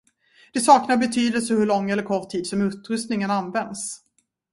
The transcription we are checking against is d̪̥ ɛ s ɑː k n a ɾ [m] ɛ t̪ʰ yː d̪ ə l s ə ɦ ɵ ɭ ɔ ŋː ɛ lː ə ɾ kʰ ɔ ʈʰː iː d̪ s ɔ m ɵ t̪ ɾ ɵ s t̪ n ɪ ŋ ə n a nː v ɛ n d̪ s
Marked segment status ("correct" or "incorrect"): incorrect